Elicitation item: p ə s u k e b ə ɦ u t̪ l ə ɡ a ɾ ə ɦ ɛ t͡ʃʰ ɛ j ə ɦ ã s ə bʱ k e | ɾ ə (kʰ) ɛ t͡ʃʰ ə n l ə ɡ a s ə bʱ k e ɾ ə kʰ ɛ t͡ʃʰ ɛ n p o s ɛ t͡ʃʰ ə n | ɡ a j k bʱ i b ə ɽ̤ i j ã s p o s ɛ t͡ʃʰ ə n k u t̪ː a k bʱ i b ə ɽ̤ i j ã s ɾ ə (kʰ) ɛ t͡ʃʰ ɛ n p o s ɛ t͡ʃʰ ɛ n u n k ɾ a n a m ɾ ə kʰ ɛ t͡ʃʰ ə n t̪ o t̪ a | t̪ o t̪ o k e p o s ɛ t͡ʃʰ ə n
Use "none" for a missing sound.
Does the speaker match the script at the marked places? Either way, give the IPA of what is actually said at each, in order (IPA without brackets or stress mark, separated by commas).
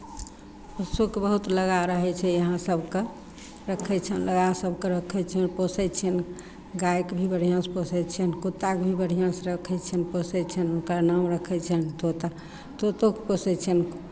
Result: kʰ, kʰ